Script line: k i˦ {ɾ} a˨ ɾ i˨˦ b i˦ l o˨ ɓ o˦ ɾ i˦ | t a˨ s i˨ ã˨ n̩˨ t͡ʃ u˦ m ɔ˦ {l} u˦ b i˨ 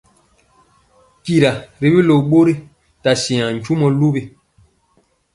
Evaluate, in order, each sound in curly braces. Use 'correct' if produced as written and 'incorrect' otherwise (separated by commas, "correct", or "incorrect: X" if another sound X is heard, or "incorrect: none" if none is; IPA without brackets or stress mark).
correct, correct